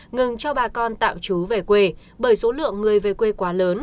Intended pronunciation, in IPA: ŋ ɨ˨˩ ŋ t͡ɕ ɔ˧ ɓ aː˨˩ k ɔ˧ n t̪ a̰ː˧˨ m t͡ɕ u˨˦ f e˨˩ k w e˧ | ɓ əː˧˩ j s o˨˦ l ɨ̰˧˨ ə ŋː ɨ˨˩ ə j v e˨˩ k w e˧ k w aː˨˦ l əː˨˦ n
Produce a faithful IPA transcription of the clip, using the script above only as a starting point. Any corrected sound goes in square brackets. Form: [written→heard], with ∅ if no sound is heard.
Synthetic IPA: ŋ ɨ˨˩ ŋ t͡ɕ ɔ˧ ɓ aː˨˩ k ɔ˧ n t̪ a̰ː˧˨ m t͡ɕ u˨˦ [f→v] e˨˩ k w e˧ | ɓ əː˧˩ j s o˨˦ l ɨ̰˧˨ ə ŋː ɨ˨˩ ə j v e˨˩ k w e˧ k w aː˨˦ l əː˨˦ n

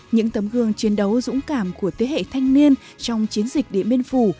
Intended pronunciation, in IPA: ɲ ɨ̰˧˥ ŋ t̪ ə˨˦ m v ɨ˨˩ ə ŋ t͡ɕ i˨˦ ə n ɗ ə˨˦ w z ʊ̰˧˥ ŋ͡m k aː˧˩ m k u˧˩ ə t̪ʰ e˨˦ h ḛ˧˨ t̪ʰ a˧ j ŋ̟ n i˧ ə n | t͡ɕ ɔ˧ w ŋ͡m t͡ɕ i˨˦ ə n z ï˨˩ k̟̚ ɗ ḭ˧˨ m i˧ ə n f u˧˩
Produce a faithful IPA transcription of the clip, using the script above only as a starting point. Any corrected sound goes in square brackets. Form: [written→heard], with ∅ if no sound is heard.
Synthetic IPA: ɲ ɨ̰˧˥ ŋ t̪ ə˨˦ m [v→ɣ] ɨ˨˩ ə ŋ t͡ɕ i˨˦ ə n ɗ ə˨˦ w z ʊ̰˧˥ ŋ͡m k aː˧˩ m k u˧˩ ə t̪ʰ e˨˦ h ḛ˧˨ t̪ʰ a˧ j ŋ̟ n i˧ ə n | t͡ɕ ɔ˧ w ŋ͡m t͡ɕ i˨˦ ə n z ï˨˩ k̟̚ ɗ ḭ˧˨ m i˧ ə n f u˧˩

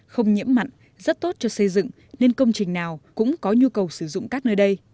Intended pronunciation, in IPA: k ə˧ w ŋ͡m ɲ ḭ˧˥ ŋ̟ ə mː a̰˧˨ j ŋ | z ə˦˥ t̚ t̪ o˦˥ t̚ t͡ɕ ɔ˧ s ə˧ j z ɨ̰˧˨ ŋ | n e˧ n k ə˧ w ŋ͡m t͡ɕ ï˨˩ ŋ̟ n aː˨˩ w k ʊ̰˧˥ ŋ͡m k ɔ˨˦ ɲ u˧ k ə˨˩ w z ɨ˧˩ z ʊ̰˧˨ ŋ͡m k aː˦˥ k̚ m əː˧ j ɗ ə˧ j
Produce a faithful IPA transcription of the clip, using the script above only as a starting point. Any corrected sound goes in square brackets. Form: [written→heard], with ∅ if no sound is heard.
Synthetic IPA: [k→x] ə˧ w ŋ͡m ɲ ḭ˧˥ [ŋ̟→∅] ə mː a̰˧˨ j ŋ | z ə˦˥ t̚ t̪ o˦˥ t̚ t͡ɕ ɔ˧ s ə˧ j z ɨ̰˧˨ ŋ | n e˧ n k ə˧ w ŋ͡m t͡ɕ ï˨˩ ŋ̟ n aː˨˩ w k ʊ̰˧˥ ŋ͡m k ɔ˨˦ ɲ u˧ k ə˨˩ w [z→s] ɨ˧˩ z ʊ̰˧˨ ŋ͡m k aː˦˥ k̚ [m→n] əː˧ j ɗ ə˧ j

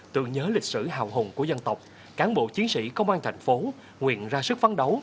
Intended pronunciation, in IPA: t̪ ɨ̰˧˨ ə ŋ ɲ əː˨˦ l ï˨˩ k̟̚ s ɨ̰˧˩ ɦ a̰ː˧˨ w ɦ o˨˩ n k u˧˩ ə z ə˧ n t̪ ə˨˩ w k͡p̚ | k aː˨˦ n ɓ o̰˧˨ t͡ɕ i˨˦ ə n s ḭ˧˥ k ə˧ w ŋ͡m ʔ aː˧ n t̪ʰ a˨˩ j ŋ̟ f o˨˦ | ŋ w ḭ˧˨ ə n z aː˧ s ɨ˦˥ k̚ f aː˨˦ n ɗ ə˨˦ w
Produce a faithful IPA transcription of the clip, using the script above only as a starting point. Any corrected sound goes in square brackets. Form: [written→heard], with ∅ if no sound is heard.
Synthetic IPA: t̪ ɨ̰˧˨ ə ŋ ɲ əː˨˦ l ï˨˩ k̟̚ s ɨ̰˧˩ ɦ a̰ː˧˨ w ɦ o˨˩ n k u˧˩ ə z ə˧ n t̪ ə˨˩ w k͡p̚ | k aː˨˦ n ɓ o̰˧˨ t͡ɕ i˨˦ ə n s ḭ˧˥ k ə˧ w ŋ͡m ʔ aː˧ n t̪ʰ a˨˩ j ŋ̟ f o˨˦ | ŋ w ḭ˧˨ ə n z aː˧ s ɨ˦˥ k̚ f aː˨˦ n ɗ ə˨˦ w

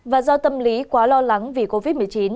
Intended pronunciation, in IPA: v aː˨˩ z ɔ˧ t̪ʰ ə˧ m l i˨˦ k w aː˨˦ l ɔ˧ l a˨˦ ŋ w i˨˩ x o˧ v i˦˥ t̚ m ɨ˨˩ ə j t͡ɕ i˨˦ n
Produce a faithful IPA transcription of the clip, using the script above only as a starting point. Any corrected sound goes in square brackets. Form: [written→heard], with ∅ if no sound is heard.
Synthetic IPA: v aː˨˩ z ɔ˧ [t̪ʰ→t̪] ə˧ m l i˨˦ k w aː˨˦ l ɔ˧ l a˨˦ ŋ [w→v] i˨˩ [x→k] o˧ v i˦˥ t̚ m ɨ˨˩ ə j t͡ɕ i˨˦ n

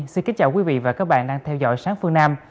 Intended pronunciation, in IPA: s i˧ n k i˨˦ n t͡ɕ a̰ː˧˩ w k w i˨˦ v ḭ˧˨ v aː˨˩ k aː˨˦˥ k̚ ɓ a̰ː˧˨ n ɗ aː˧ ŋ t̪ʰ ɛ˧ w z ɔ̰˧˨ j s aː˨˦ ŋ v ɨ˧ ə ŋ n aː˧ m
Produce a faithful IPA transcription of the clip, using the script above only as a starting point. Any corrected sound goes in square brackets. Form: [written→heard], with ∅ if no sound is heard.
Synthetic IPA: s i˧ n k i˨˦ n t͡ɕ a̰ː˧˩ w k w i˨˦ v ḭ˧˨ v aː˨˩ k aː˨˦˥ k̚ ɓ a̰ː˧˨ n ɗ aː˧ ŋ t̪ʰ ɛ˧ w z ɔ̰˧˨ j s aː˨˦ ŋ [v→f] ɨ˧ ə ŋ n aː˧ m

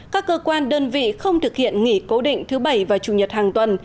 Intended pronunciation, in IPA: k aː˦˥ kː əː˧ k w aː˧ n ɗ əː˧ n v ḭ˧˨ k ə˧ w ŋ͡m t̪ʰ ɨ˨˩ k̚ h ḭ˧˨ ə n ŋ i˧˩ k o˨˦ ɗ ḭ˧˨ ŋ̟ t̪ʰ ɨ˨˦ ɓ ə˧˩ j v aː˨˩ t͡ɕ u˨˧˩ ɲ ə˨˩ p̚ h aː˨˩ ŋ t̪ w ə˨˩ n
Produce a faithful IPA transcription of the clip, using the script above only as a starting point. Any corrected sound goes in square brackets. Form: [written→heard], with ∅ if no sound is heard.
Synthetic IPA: k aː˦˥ kː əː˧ k w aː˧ n ɗ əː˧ n v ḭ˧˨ [k→x] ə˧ w ŋ͡m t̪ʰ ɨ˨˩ k̚ h ḭ˧˨ ə n ŋ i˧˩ k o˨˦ ɗ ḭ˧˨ ŋ̟ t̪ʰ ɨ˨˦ ɓ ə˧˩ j v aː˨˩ t͡ɕ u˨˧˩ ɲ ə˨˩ [p̚→t̚] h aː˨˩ ŋ t̪ w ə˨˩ n

